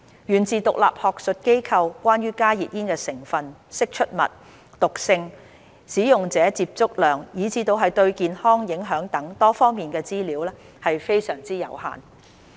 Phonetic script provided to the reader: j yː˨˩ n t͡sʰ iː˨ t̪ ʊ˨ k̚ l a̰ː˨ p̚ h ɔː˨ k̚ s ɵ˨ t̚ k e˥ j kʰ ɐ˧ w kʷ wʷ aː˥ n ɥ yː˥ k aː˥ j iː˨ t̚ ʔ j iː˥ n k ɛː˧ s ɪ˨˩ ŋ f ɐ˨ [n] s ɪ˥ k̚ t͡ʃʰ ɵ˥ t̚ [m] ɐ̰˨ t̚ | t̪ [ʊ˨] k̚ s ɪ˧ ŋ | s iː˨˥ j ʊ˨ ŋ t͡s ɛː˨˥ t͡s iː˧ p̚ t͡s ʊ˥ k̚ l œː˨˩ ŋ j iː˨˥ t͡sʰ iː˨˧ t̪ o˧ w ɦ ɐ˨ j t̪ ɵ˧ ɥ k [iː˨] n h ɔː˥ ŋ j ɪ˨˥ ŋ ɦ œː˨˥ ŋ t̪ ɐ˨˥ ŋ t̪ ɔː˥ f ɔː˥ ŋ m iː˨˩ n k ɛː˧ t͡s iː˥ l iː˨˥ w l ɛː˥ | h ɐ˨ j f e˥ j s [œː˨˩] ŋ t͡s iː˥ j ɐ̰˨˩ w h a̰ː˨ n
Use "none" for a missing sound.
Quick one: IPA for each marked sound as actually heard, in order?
n, m, ʊ˨, iː˨, œː˨˩

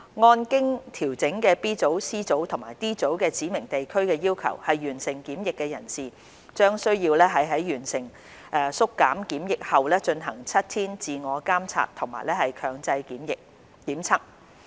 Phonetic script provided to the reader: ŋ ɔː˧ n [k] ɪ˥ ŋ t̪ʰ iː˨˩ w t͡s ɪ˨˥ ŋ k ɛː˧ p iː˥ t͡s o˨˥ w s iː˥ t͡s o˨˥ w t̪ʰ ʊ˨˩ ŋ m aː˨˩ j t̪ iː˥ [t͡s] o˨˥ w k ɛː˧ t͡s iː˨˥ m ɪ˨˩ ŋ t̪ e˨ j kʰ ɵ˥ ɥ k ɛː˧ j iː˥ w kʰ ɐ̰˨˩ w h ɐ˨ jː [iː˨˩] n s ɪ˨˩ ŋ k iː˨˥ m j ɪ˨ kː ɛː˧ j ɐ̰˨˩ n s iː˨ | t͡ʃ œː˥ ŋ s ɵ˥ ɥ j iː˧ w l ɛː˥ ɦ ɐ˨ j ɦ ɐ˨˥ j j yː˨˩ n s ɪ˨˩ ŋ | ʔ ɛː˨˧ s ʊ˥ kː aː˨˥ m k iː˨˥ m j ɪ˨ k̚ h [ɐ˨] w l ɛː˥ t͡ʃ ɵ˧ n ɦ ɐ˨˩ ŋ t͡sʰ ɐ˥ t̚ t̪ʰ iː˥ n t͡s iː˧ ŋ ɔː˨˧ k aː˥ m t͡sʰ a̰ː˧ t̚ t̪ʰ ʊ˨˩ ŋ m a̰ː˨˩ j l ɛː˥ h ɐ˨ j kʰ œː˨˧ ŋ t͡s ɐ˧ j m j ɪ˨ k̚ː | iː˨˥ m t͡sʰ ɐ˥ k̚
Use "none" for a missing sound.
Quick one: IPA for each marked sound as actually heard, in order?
k, t͡s, yː˨˩, ɐ˨

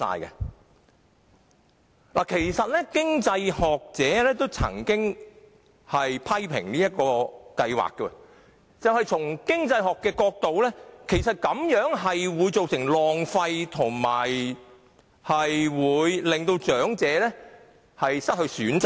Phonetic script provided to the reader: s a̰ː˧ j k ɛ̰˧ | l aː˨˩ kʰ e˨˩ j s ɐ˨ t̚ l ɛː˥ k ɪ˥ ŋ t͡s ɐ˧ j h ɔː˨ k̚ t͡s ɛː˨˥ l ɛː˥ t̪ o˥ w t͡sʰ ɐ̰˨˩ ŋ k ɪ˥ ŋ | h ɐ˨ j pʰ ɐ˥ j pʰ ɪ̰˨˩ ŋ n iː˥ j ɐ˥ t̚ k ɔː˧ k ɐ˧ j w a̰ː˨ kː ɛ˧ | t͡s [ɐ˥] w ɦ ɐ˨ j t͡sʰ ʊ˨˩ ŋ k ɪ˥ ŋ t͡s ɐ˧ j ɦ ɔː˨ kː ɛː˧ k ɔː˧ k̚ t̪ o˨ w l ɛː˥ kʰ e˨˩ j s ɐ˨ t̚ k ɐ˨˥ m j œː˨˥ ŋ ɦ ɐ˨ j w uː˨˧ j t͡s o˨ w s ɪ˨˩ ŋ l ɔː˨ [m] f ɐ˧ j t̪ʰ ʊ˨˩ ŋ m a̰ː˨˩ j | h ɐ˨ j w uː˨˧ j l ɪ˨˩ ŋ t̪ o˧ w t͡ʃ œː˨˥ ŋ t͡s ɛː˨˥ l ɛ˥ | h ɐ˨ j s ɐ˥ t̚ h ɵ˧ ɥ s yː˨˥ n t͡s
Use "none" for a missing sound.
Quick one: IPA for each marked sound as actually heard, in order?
ɐ˨, ŋ

